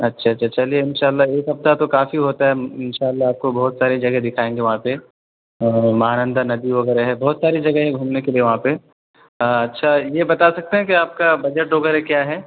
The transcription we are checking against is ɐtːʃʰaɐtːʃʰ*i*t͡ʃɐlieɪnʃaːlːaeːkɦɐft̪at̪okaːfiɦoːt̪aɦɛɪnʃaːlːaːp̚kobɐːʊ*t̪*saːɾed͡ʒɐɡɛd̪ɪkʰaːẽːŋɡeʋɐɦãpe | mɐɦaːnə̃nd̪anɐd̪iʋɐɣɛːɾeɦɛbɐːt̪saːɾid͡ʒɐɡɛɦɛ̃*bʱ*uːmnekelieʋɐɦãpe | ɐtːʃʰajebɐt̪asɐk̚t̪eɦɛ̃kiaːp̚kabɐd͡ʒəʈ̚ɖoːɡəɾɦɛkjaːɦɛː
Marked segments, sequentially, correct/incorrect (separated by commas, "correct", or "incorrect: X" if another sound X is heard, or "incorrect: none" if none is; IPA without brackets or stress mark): incorrect: a, correct, incorrect: ɡʱ